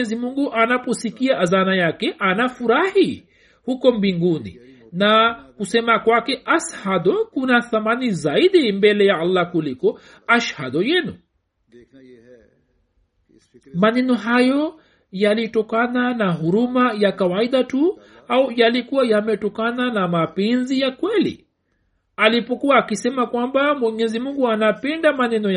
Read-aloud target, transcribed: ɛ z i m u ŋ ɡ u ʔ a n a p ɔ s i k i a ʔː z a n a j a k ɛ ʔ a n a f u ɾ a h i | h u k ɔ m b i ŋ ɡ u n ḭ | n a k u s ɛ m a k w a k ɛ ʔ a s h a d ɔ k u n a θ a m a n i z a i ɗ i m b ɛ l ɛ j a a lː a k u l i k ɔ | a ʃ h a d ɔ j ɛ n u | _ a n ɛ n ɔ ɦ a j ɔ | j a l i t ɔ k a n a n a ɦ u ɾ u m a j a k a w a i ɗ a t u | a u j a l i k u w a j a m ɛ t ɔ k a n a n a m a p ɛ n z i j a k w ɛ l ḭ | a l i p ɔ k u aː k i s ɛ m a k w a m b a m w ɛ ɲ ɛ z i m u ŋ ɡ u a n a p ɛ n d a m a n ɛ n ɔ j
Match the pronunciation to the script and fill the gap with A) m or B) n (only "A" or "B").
A